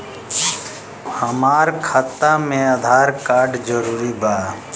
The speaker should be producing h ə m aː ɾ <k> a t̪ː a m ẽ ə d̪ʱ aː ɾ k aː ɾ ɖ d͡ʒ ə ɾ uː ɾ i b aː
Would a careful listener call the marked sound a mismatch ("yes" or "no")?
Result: yes